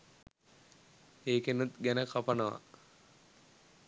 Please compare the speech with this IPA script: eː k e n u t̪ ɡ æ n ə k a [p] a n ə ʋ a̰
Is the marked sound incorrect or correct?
correct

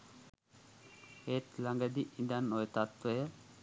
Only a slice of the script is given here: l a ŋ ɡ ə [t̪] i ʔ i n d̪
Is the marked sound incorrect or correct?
incorrect: d̪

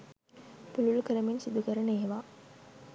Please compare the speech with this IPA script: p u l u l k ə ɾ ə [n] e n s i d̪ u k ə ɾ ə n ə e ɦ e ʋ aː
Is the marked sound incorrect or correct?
incorrect: m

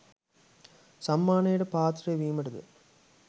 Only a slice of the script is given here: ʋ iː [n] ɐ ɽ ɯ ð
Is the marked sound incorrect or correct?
incorrect: m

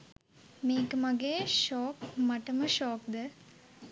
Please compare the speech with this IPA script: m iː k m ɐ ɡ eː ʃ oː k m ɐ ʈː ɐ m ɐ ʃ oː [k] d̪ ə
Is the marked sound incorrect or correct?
correct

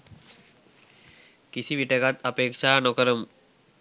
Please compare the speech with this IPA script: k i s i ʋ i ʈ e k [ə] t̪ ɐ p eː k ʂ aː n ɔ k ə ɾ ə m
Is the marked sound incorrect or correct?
incorrect: a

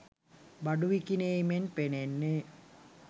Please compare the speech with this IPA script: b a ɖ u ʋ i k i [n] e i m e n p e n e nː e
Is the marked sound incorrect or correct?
correct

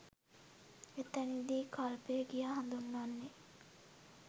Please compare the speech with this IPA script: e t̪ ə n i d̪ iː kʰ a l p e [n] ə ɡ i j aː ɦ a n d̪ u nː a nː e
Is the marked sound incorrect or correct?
incorrect: none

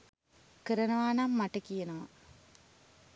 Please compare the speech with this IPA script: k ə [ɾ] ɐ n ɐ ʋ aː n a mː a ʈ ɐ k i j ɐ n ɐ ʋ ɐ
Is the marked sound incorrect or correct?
correct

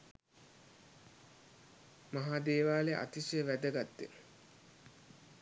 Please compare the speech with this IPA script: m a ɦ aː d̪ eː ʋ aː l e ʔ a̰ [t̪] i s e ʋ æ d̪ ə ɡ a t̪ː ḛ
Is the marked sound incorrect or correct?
correct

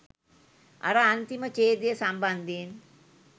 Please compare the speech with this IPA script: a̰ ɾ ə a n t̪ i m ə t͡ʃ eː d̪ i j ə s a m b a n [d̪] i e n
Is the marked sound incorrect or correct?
correct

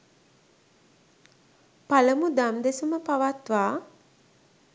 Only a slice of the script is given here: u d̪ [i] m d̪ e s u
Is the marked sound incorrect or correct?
incorrect: a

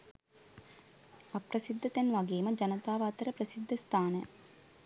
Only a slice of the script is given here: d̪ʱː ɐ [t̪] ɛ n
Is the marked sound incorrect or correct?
correct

